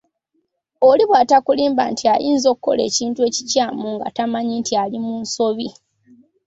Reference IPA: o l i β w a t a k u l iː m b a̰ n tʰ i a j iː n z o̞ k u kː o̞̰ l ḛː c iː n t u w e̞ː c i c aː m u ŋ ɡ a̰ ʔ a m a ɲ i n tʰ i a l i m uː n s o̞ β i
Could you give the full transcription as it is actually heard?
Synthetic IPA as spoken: o l i β w a t a k u l iː m b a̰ n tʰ i a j iː n z o̞ k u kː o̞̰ l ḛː c iː n t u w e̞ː c i c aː m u ŋ ɡ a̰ t a m a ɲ i n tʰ i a l i m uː n s o̞ β i

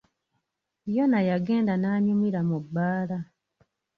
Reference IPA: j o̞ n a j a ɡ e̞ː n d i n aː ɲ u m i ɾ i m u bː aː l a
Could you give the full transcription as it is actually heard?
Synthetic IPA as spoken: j o̞ n a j a ɡ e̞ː n d a n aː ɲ u m i ɾ a m u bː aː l a

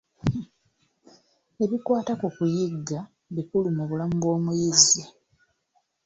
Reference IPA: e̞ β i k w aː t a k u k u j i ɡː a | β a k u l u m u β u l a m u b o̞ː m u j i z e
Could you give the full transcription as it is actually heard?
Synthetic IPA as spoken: e̞ β i k w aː t a k u k u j i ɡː a | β i k u l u m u β u l a m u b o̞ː m u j i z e

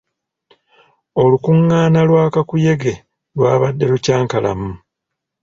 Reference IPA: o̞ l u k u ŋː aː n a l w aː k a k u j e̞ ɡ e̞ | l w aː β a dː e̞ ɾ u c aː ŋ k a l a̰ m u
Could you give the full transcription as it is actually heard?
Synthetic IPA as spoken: o̞ l u k u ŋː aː n a l w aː k a k u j e̞ ɡ e̞ | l w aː β a dː e̞ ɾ u c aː ŋ k a l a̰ m u

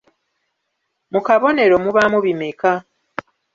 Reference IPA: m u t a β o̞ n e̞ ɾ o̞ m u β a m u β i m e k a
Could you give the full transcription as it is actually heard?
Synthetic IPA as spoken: m u k a β o̞ n e̞ ɾ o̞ m u β a m u β i m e k a

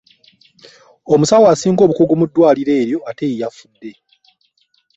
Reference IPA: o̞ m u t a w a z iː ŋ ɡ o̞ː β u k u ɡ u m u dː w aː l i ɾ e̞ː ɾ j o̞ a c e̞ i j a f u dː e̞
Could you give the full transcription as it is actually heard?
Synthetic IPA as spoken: o̞ m u s a w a s iː ŋ ɡ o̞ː β u k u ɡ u m u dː w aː l i ɾ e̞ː ɾ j o̞ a t e̞ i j a f u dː e̞

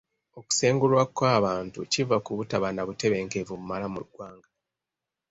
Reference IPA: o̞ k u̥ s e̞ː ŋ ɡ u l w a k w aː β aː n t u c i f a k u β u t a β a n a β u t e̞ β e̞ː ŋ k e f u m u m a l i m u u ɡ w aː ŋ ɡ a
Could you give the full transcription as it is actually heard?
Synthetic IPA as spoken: o̞ k u̥ s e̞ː ŋ ɡ u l w a k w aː β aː n t u c i v a k u β u t a β a n a β u t e̞ β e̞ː ŋ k e v u m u m a l a m u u ɡ w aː ŋ ɡ a

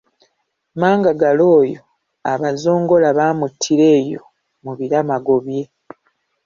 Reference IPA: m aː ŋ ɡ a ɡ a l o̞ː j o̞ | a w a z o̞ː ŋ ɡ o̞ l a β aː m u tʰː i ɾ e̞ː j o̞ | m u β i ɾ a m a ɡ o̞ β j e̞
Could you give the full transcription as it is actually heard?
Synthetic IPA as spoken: m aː ŋ ɡ a ɡ a l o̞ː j o̞ | a β a z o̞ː ŋ ɡ o̞ l a β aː m u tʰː i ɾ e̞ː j o̞ | m u β i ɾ a m a ɡ o̞ β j e̞

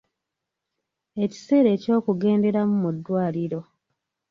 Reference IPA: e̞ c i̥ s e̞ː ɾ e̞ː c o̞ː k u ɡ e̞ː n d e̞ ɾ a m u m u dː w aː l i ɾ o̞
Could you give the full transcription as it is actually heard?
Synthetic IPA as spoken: e̞ c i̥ s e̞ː ɾ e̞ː c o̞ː k u ɡ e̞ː n d e̞ ɾ a m u m u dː w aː l i ɾ o̞

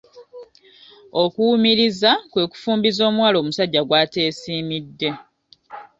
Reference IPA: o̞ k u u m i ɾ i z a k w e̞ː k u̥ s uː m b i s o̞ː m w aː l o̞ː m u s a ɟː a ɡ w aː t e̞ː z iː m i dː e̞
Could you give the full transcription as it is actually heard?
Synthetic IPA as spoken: o̞ k u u m i ɾ i z a k w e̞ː k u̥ f uː m b i z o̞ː m w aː l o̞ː m u s a ɟː a ɡ w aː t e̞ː s iː m i dː e̞

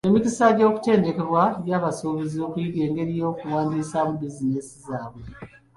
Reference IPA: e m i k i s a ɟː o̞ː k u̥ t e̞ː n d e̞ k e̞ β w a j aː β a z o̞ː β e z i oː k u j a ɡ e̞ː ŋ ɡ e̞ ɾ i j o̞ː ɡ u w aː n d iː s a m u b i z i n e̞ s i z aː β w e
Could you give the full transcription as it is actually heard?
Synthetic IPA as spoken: e m i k i s a ɟ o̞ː k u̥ t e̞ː n d e̞ k e̞ β w a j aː β a s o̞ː β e z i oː k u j i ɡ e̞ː ŋ ɡ e̞ ɾ i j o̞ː k u w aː n d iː s a m u b i z i n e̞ s i z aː β w e

